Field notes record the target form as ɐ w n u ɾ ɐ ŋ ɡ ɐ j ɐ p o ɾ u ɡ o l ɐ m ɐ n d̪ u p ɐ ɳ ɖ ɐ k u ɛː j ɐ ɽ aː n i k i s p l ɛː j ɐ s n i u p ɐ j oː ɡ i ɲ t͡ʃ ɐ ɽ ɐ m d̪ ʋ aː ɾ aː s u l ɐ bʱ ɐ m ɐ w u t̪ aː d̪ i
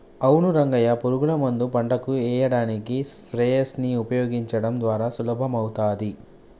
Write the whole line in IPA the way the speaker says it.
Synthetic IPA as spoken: ɐ w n u ɾ ɐ ŋ ɡ ɐ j ɐ p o ɾ u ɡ u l ɐ m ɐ n d̪ u p ɐ ɳ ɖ ɐ k u ɛː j ɐ ɽ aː n i k i s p ɾ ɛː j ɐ s n i u p ɐ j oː ɡ i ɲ t͡ʃ ɐ ɽ ɐ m d̪ ʋ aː ɾ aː s u l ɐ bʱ ɐ m ɐ w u t̪ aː d̪ i